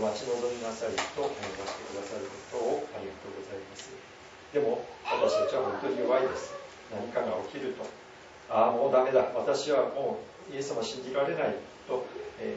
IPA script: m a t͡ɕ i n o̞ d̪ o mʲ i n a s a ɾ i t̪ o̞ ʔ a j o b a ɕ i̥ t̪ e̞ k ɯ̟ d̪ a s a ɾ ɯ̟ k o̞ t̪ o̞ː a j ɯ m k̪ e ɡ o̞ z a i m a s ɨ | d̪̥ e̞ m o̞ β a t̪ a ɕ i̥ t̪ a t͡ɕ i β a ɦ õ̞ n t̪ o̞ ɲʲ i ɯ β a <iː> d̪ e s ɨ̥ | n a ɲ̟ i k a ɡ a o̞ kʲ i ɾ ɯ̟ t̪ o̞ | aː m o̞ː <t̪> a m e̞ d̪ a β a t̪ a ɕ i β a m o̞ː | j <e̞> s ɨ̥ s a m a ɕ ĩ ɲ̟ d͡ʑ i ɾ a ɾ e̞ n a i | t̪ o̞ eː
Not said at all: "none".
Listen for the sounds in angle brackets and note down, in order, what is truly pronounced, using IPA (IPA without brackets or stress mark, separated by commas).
i, d̪, e̞